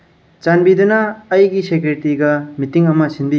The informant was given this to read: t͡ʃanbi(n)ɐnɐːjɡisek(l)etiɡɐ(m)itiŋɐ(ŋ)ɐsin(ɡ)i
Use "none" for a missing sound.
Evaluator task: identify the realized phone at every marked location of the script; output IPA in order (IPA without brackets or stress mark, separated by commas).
d, ɾ, m, m, b